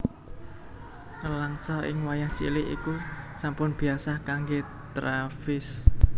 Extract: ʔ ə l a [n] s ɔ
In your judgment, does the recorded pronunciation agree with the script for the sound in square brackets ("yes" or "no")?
no